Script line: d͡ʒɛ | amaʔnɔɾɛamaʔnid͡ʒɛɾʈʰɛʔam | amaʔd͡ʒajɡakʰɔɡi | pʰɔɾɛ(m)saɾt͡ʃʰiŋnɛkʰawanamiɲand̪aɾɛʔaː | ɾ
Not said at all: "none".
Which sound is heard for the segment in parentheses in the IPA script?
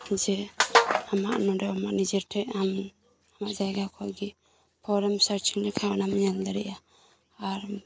m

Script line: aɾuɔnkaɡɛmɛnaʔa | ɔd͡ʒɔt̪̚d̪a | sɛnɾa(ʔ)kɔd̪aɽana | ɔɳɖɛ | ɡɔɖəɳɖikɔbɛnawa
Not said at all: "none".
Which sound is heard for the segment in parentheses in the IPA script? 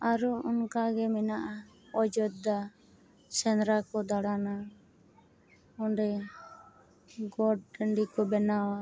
none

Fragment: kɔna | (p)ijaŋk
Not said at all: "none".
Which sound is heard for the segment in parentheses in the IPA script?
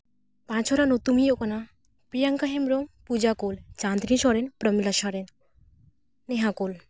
p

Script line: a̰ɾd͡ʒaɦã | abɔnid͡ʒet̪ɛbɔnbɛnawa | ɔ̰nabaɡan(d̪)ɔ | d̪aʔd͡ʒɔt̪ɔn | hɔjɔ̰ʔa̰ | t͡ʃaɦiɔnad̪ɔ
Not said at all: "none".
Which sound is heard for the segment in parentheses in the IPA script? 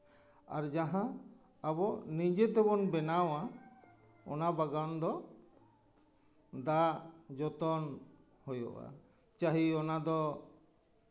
d̪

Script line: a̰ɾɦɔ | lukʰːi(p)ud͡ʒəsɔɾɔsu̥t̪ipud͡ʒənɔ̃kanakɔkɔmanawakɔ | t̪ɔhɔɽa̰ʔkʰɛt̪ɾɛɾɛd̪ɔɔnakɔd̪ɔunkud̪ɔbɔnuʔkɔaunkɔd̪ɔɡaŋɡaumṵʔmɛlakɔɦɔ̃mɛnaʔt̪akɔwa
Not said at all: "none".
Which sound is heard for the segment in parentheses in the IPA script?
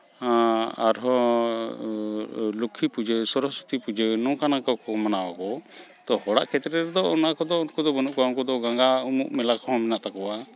p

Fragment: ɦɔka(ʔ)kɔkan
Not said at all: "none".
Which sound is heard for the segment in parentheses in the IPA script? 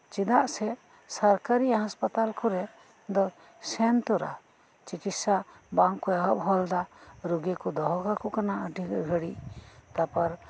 none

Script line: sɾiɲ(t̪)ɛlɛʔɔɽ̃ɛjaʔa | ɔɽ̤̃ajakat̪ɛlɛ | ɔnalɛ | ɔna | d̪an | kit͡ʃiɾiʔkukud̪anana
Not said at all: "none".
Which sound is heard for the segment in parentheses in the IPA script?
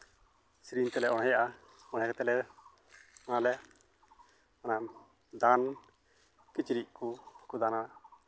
t̪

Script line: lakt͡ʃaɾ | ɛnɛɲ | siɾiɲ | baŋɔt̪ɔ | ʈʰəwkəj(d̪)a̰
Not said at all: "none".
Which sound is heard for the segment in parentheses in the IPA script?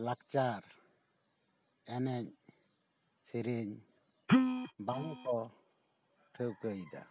d̪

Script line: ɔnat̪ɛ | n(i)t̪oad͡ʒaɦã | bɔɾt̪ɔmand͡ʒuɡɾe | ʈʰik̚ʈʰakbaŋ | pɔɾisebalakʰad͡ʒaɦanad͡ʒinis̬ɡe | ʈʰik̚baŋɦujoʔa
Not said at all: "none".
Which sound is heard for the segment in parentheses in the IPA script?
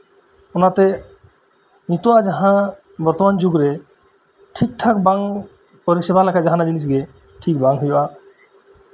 i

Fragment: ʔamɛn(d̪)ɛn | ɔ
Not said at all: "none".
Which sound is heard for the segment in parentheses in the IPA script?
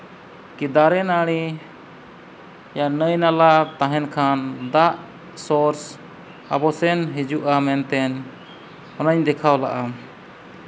t̪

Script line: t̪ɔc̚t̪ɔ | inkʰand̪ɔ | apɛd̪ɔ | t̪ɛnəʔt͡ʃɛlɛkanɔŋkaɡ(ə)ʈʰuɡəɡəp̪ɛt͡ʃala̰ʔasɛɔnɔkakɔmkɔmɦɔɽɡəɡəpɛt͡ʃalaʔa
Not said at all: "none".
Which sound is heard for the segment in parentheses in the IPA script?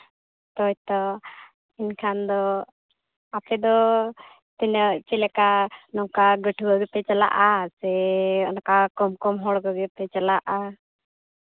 ə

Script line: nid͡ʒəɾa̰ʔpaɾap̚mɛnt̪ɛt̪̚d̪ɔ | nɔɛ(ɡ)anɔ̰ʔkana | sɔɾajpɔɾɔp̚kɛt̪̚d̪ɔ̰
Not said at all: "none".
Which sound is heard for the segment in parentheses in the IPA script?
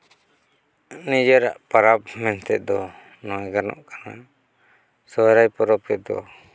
ɡ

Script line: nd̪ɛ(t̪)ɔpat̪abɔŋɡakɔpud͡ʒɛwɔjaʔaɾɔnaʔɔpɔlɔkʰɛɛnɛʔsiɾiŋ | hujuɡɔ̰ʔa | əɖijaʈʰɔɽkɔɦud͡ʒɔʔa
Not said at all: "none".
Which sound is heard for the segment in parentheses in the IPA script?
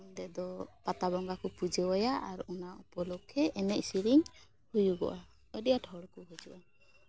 d̪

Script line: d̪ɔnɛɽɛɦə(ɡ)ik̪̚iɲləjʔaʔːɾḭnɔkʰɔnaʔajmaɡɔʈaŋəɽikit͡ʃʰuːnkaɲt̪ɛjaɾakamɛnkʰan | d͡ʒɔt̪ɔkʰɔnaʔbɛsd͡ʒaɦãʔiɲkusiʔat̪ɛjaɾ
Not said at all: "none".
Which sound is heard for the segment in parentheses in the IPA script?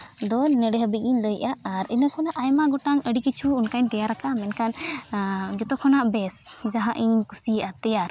b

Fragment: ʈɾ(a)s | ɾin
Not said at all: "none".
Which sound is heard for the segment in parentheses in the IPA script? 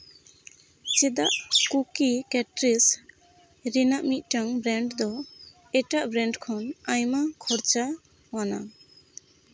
i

